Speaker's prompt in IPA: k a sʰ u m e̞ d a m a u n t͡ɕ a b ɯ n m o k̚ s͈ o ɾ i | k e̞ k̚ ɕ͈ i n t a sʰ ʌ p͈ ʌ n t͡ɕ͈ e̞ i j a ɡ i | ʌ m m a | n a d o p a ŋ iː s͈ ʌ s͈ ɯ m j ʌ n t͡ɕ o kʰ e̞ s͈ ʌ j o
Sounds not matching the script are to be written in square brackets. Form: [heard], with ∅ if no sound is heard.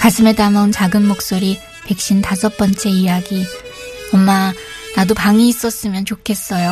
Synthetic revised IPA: k a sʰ [ɯ] m e̞ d a m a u n t͡ɕ a [ɡ] ɯ n m o k̚ s͈ o ɾ i | [p] e̞ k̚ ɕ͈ i n t a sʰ ʌ p͈ ʌ n t͡ɕ͈ e̞ i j a ɡ i | ʌ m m a | n a d o p a ŋ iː s͈ ʌ s͈ ɯ m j ʌ n t͡ɕ o kʰ e̞ s͈ ʌ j o